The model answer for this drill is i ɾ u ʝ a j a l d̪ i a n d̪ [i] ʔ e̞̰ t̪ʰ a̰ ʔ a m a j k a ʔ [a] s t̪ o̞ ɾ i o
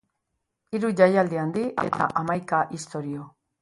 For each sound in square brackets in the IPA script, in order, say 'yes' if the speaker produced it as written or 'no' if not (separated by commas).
yes, no